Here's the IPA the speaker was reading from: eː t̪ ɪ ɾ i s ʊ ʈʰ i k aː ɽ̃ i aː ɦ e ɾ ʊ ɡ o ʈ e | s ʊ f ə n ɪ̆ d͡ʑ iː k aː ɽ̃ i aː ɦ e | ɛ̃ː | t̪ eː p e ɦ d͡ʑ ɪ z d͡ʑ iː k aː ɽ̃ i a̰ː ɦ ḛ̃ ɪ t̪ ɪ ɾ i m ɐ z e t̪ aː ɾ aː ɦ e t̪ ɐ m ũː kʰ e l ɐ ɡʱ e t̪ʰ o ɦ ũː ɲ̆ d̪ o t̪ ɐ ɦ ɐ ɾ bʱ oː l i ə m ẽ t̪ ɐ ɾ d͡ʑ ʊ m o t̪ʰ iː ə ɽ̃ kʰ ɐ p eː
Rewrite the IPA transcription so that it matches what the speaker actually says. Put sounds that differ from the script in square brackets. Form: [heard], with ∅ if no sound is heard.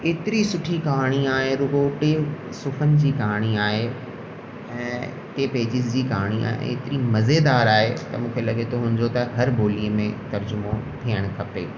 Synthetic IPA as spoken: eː t̪ ɪ ɾ i s ʊ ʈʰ i k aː ɽ̃ i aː ɦ e ɾ ʊ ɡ o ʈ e | s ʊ f ə n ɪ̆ d͡ʑ iː k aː ɽ̃ i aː ɦ e | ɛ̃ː | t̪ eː p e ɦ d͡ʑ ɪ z d͡ʑ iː k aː ɽ̃ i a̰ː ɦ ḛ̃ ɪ t̪ ɪ ɾ i m ɐ z e [d̪] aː ɾ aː ɦ e t̪ ɐ m ũː kʰ e l ɐ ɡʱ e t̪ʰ o ɦ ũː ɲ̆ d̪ o t̪ ɐ ɦ ɐ ɾ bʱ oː l i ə m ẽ t̪ ɐ ɾ d͡ʑ ʊ m o t̪ʰ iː ə ɽ̃ kʰ ɐ p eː

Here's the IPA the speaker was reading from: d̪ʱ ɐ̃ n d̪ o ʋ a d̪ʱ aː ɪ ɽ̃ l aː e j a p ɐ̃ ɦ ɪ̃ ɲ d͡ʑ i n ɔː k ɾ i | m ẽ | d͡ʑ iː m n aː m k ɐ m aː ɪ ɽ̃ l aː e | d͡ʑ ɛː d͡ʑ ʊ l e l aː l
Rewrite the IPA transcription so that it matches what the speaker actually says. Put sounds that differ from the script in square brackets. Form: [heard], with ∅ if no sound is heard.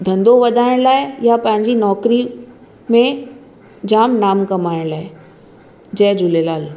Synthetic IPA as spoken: d̪ʱ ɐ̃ n d̪ o ʋ [ɐ] d̪ʱ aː ɪ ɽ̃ l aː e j a p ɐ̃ ɦ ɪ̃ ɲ d͡ʑ i n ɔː k ɾ i | m ẽ | d͡ʑ [aː] m n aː m k ɐ m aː ɪ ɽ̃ l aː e | d͡ʑ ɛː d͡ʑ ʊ l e l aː l

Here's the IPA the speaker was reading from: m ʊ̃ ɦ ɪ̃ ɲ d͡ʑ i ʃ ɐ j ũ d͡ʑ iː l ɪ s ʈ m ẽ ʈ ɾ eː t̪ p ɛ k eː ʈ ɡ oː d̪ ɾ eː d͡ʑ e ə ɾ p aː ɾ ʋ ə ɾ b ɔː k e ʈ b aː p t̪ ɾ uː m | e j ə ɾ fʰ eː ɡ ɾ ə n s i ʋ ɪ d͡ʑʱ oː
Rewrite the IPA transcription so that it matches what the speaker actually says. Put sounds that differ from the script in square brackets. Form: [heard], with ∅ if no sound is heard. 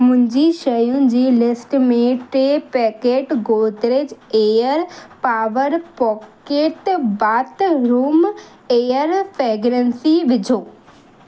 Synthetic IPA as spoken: m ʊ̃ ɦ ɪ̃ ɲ d͡ʑ i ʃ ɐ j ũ d͡ʑ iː l ɪ s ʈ m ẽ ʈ ɾ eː [∅] p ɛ k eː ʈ ɡ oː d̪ ɾ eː d͡ʑ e ə ɾ p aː [∅] ʋ ə ɾ [p] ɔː k e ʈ b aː [∅] t̪ ɾ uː m | e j ə ɾ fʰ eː ɡ ɾ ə n s i ʋ ɪ d͡ʑʱ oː

